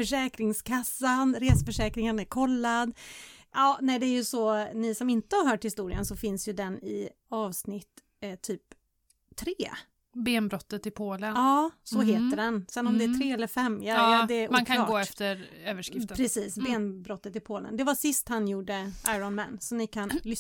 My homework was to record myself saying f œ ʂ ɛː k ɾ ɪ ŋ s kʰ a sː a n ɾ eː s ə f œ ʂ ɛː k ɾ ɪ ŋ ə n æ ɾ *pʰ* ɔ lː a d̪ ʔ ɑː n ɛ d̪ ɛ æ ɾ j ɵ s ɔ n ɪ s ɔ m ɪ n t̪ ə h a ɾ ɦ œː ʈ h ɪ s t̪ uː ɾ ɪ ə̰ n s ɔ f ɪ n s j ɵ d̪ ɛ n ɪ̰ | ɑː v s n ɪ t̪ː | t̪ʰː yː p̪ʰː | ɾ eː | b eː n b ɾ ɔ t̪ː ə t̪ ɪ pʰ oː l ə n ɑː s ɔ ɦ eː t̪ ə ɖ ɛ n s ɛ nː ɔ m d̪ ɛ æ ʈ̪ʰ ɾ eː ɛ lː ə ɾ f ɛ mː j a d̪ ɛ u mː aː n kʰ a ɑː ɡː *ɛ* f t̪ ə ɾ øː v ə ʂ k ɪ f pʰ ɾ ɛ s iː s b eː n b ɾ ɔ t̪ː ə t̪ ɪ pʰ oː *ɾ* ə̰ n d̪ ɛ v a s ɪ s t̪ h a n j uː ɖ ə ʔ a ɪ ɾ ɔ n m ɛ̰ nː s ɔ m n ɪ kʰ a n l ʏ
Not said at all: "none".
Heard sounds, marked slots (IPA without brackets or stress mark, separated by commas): kʰ, ɛ, l